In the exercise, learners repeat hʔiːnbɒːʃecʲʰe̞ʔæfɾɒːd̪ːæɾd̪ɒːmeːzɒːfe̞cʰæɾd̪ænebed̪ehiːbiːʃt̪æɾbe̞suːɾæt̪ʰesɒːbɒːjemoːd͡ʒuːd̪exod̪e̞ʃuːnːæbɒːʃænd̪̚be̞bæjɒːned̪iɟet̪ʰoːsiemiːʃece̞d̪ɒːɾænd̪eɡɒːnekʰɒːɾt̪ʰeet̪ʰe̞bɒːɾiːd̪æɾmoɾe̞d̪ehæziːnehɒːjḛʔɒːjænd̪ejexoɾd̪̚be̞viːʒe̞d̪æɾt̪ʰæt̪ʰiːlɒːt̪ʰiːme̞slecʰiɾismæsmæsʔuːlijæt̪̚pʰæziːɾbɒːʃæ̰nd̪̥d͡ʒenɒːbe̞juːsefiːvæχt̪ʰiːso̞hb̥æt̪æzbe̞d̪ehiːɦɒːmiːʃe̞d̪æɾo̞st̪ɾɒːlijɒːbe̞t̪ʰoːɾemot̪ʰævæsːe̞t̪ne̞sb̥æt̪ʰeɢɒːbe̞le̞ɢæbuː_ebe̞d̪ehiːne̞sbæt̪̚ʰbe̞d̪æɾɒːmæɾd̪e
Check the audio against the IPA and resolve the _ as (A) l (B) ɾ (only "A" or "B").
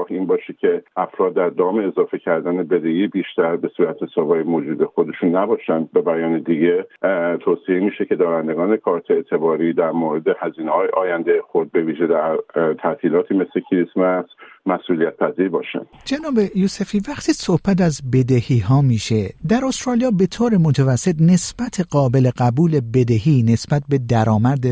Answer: A